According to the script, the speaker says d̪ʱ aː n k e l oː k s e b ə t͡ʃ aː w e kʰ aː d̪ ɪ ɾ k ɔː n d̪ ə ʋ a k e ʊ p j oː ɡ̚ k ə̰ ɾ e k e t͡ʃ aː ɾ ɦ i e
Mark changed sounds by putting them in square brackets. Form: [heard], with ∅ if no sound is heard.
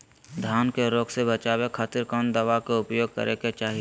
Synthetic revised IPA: d̪ʱ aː n k e [ɾ] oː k s e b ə t͡ʃ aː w e kʰ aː [t̪] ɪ ɾ k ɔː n d̪ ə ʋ a k e ʊ p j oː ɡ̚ k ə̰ ɾ e k e t͡ʃ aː [∅] ɦ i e